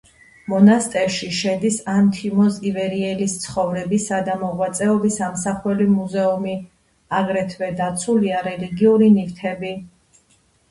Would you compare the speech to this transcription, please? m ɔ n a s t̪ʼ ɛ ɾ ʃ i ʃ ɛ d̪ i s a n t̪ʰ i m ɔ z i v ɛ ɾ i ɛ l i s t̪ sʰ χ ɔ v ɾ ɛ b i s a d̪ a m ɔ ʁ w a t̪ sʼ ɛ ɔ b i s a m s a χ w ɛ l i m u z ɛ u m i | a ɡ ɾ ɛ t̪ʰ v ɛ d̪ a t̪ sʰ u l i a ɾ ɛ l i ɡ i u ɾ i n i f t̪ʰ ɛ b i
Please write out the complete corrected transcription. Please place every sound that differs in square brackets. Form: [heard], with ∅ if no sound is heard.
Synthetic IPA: m ɔ n a s t̪ʼ ɛ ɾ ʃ i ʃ ɛ d̪ i s a n t̪ʰ i m ɔ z i v ɛ ɾ i ɛ l i s t̪ sʰ χ ɔ v ɾ ɛ b i s a d̪ a m ɔ ʁ w a t̪ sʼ ɛ ɔ b i s a m s a χ w ɛ l i m u z ɛ u m i | a ɡ ɾ ɛ t̪ʰ v ɛ d̪ a t̪ sʰ u l i a ɾ ɛ l i ɡ i u ɾ i n i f t̪ʰ ɛ b i